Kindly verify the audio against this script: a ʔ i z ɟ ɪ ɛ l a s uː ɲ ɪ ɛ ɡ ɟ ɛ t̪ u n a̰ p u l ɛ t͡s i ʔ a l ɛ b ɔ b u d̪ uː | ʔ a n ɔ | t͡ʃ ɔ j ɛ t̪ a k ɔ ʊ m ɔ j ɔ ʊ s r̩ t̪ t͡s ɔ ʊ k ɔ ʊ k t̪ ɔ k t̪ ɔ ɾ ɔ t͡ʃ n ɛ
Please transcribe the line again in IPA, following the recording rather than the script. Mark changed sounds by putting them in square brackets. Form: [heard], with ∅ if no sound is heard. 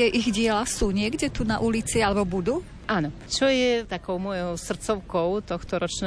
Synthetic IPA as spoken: [ɛ] ʔ i [ɣ] ɟ ɪ ɛ l a s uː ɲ ɪ ɛ ɡ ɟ ɛ t̪ u n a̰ [ʔ] u l [i] t͡s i [∅] a l ɛ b ɔ b u d̪ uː | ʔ a n ɔ | t͡ʃ ɔ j ɛ t̪ a k ɔ ʊ m ɔ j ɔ ʊ s r̩ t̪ t͡s ɔ ʊ k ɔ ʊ [∅] t̪ ɔ [x] t̪ ɔ ɾ ɔ t͡ʃ n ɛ